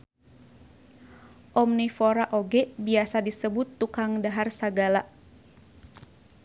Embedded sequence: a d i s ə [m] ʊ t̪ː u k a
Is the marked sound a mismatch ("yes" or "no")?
yes